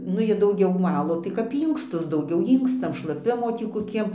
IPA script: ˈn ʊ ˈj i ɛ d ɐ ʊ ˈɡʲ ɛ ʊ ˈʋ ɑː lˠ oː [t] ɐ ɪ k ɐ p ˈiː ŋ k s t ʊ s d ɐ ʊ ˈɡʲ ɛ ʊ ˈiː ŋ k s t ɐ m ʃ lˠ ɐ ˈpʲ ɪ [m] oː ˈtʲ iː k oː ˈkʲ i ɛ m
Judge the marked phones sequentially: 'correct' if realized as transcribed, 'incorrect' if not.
correct, correct

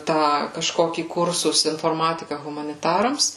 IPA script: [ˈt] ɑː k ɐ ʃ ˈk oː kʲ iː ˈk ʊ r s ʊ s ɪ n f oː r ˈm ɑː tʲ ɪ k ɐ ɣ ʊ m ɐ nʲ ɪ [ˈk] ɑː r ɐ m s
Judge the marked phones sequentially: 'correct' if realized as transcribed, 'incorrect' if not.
correct, incorrect

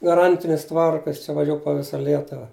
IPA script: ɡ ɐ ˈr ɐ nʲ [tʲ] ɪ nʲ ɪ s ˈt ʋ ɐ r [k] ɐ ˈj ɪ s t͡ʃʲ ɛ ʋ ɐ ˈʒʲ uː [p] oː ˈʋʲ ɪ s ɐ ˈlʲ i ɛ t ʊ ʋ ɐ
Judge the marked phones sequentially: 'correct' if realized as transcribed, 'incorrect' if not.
correct, correct, correct

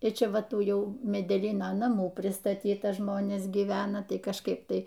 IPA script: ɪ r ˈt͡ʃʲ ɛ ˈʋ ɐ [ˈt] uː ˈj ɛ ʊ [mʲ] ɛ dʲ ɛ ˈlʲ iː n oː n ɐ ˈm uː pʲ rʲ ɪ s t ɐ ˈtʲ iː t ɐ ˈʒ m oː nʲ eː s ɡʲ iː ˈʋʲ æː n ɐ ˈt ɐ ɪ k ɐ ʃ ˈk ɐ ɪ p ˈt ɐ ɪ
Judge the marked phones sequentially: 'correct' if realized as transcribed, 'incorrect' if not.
correct, correct

